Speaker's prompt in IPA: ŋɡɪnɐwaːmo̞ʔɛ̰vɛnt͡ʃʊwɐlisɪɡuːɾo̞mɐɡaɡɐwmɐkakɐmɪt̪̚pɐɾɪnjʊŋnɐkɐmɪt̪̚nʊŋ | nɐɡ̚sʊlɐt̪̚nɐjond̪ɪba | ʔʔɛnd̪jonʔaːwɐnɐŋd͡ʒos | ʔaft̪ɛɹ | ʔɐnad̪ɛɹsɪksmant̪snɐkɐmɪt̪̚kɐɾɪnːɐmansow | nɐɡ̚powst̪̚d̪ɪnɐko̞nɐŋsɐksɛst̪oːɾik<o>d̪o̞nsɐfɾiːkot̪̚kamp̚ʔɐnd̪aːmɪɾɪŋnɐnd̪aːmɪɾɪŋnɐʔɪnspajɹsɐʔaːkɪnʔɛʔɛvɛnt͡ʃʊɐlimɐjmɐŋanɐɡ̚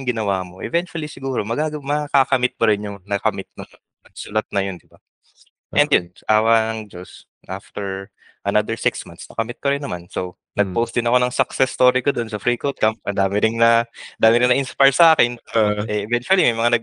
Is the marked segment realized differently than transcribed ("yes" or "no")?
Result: no